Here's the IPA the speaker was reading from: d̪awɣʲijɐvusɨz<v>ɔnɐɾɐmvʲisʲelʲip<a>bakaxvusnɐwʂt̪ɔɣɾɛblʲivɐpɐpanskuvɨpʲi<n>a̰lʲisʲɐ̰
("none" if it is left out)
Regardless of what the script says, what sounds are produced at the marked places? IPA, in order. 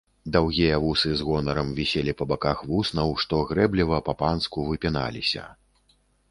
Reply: ɣ, ɐ, n

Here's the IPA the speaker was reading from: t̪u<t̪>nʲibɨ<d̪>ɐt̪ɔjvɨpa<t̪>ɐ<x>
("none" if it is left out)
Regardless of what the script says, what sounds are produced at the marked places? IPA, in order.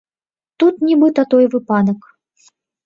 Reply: t̪, t̪, d̪, k

